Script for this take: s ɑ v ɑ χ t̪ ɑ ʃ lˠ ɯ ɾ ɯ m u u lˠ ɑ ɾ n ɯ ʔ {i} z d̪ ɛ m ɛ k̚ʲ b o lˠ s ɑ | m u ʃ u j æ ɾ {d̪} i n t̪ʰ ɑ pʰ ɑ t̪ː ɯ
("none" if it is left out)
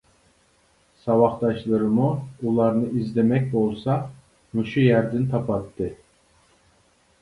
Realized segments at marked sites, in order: i, d̪

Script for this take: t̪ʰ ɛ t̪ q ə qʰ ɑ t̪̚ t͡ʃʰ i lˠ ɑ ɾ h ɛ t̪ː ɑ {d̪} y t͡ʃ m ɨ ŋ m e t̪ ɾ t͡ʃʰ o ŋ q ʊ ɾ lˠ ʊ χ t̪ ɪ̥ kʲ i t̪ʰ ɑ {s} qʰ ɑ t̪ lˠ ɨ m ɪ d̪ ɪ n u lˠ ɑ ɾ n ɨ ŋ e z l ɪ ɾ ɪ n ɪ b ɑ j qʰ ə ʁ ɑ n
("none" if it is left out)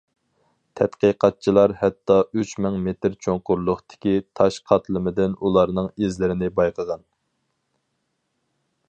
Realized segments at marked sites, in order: none, ʃ

